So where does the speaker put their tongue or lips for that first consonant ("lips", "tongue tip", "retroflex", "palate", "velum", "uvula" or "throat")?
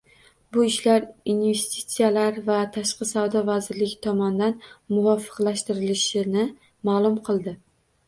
lips